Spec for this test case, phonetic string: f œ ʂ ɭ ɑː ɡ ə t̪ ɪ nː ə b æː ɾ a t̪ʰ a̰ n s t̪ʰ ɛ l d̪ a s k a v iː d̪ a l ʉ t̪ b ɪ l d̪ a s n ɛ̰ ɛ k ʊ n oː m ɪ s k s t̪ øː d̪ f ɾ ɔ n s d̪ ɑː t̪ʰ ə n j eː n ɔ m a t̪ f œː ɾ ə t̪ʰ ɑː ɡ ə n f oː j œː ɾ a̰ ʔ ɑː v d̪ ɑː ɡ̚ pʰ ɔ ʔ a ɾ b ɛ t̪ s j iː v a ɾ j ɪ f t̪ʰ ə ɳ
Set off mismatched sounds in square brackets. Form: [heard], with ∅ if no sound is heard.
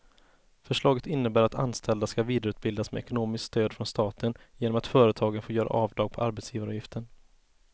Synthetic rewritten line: f œ ʂ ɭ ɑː ɡ ə t̪ ɪ nː ə b æː ɾ a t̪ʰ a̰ n s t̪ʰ ɛ l d̪ a s k a v iː d̪ a [ɾ] ʉ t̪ b ɪ l d̪ a s [m] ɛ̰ ɛ k ʊ n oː m ɪ s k s t̪ øː d̪ f ɾ ɔ n s [t̪] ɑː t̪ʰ ə n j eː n ɔ m a t̪ f œː ɾ ə t̪ʰ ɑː ɡ ə n f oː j œː ɾ a̰ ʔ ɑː v d̪ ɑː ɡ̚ pʰ ɔ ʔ a ɾ b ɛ t̪ s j iː v a ɾ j ɪ f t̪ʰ ə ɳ